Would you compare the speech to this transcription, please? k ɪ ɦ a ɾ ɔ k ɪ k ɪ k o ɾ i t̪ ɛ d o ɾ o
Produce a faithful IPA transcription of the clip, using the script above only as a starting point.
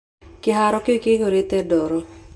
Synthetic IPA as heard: k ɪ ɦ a ɾ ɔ k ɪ k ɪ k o ɾ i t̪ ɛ d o ɾ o